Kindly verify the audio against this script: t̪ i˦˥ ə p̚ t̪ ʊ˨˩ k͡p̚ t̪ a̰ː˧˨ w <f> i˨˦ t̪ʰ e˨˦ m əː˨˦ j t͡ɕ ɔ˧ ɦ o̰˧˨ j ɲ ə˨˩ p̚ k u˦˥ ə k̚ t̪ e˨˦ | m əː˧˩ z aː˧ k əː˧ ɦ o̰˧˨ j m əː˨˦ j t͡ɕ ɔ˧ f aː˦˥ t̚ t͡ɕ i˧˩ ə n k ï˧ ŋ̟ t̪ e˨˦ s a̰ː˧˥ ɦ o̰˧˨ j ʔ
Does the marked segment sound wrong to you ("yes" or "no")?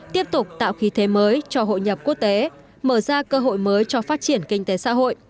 yes